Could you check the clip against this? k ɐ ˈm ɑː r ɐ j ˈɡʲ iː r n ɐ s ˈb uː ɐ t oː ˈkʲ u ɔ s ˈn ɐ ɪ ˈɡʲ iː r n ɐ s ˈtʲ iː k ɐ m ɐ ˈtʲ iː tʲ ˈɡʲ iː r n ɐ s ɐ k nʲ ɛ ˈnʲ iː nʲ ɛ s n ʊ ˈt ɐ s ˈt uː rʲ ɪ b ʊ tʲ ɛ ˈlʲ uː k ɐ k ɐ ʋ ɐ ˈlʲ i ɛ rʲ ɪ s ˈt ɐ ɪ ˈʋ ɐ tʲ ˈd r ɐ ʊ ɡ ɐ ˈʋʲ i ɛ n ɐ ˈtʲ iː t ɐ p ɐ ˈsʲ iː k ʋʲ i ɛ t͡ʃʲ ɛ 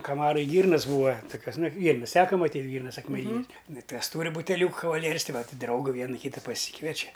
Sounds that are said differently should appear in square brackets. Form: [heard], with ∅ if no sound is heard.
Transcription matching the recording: k ɐ ˈm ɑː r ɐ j ˈɡʲ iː r n ɐ s ˈb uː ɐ t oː ˈkʲ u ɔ s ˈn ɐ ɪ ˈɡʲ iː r n ɐ s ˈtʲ [æː] k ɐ m ɐ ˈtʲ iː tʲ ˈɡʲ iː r n ɐ s ɐ k [mʲ] ɛ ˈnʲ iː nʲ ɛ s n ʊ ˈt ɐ s ˈt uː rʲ ɪ b ʊ tʲ ɛ ˈlʲ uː k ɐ k ɐ ʋ ɐ ˈlʲ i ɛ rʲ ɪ s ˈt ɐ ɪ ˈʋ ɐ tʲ ˈd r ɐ ʊ ɡ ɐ ˈʋʲ i ɛ n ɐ [ˈkʲ] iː t ɐ p ɐ ˈsʲ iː k ʋʲ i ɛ t͡ʃʲ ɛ

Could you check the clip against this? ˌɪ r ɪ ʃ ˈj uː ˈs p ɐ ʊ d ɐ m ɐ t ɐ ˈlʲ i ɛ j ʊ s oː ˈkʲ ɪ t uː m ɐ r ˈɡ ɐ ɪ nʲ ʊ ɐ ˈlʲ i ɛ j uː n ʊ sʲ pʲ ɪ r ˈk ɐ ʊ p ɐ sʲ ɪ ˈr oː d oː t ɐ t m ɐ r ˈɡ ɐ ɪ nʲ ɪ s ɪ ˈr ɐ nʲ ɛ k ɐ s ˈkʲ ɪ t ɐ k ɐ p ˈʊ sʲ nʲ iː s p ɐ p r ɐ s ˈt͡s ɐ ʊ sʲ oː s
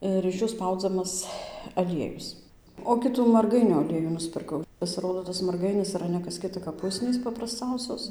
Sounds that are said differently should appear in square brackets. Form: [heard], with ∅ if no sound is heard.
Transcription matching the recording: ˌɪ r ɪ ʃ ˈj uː ˈs p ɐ ʊ [d͡z] ɐ m ɐ [s] ɐ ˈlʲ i ɛ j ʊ s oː ˈkʲ ɪ t uː m ɐ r ˈɡ ɐ ɪ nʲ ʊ ɐ ˈlʲ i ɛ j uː n ʊ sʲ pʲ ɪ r ˈk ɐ ʊ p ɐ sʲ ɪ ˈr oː d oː t ɐ [s] m ɐ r ˈɡ ɐ ɪ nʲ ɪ s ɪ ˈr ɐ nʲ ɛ k ɐ s ˈkʲ ɪ t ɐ k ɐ p ˈʊ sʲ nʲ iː s p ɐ p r ɐ s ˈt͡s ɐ ʊ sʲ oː s

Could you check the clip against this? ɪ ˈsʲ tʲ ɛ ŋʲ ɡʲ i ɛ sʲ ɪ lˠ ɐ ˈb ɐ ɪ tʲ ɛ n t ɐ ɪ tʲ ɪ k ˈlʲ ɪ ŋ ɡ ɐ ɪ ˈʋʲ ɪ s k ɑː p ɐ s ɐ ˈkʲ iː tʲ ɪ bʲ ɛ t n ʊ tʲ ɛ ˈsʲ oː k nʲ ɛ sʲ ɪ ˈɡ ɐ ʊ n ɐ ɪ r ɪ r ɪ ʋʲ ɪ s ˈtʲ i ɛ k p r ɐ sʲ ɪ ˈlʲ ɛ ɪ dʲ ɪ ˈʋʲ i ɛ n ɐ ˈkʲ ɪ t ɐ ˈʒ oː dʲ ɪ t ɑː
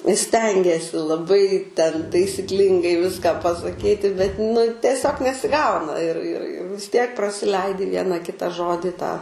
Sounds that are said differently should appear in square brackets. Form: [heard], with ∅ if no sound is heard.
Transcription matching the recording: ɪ ˈsʲ tʲ ɛ ŋʲ ɡʲ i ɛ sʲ ɪ lˠ ɐ ˈb ɐ ɪ tʲ ɛ n t ɐ ɪ [sʲ] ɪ k ˈlʲ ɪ ŋ ɡ ɐ ɪ ˈʋʲ ɪ s k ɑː p ɐ s ɐ ˈkʲ iː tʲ ɪ bʲ ɛ t n ʊ tʲ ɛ ˈsʲ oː k nʲ ɛ sʲ ɪ ˈɡ ɐ ʊ n ɐ ɪ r ɪ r ɪ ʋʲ ɪ s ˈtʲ i ɛ k p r ɐ sʲ ɪ ˈlʲ ɛ ɪ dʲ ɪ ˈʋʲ i ɛ n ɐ ˈkʲ ɪ t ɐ ˈʒ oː dʲ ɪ t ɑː

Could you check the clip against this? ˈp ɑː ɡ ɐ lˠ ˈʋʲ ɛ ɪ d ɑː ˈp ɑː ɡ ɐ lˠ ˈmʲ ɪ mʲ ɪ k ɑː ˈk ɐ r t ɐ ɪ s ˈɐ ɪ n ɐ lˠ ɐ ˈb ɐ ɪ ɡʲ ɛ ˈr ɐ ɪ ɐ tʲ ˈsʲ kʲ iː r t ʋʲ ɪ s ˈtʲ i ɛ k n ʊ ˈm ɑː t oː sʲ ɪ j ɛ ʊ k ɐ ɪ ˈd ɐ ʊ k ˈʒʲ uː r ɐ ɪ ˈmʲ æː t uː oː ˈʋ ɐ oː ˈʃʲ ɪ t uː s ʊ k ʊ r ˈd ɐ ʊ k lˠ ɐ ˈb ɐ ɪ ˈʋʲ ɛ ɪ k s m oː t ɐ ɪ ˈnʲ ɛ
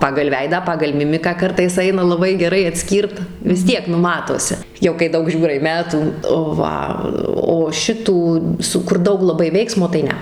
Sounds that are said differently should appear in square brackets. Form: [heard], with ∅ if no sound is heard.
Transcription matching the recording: ˈp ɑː ɡ ɐ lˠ ˈʋʲ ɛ ɪ d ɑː ˈp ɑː ɡ ɐ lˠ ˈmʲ ɪ mʲ ɪ k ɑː ˈk ɐ r t ɐ ɪ s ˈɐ ɪ n ɐ lˠ ɐ ˈb ɐ ɪ ɡʲ ɛ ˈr ɐ ɪ ɐ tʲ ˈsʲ kʲ iː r t ʋʲ ɪ s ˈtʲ i ɛ k n ʊ ˈm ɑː t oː sʲ ɪ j ɛ ʊ k ɐ ɪ ˈd ɐ ʊ k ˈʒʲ uː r ɐ ɪ ˈmʲ æː t uː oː ˈʋ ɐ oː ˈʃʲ ɪ t uː s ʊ k ʊ r ˈd ɐ ʊ k lˠ ɐ ˈb ɐ ɪ ˈʋʲ ɛ ɪ k s m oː t ɐ ɪ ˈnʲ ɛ

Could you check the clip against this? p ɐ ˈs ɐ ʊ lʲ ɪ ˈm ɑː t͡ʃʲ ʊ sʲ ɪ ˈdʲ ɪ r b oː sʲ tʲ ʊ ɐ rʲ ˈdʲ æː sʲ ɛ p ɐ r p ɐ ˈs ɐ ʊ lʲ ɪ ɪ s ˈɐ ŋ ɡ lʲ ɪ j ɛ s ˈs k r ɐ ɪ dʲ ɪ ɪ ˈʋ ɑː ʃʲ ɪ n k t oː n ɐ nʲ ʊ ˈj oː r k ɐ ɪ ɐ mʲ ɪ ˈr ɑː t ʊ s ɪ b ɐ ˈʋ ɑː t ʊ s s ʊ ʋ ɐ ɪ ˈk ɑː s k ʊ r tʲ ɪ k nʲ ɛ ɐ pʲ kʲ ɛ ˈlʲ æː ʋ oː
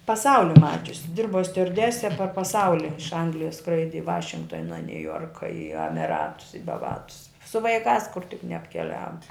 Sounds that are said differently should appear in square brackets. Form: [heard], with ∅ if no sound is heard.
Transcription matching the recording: p ɐ ˈs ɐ ʊ lʲ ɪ ˈm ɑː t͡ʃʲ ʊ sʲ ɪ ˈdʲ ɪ r b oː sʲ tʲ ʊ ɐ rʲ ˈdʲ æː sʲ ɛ p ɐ r p ɐ ˈs ɐ ʊ lʲ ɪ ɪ [ʃ] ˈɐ ŋ ɡ lʲ ɪ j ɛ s ˈs k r ɐ ɪ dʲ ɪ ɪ ˈʋ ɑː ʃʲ ɪ [ŋ] k t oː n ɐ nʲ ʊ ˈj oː r k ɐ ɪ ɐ mʲ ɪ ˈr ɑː t ʊ s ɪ b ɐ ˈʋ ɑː t ʊ s s ʊ ʋ ɐ ɪ ˈk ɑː s k ʊ r tʲ ɪ k nʲ ɛ ɐ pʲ kʲ ɛ ˈlʲ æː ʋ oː

